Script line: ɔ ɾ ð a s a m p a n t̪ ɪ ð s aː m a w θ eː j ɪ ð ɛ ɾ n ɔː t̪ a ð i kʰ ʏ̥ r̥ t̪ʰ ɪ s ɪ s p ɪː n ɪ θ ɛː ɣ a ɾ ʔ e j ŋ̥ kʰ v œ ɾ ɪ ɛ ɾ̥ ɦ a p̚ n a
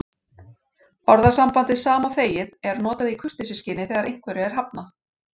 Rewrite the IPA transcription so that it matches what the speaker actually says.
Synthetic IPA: ɔ ɾ ð a s a m p a n t̪ ɪ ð s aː m a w θ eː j ɪ ð ɛ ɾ n ɔː t̪ a ð i kʰ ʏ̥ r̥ t̪ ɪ s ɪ s c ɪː n ɪ θ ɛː ɣ a ɾ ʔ e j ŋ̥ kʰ v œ ɾ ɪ ɛ ɾ̥ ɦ a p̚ n a